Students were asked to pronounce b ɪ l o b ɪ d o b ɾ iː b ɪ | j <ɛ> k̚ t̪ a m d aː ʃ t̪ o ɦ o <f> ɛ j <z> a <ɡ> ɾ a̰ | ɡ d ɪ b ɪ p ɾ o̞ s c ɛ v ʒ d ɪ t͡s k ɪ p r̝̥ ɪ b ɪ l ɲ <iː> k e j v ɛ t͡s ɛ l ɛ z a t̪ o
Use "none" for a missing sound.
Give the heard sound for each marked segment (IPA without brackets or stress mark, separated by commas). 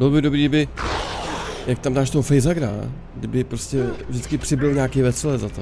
a, f, z, ɡ, aː